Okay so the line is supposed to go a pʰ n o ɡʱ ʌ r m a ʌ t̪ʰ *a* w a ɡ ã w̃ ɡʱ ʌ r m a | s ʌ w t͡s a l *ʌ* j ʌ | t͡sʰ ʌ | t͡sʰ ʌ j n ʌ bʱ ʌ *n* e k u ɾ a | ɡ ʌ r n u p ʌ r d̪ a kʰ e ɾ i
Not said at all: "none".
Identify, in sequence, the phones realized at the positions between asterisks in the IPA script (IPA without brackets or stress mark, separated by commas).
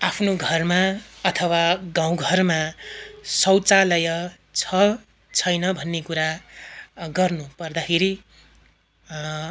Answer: ʌ, ʌ, nː